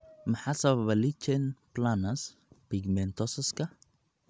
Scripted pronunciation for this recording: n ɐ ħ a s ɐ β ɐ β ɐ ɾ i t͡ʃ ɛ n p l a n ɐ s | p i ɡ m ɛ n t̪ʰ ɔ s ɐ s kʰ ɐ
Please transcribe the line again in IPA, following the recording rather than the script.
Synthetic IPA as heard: m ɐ ħ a s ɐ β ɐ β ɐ l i t͡ʃ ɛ n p l a n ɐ s | p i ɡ m ɛ n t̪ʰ ɔ s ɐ s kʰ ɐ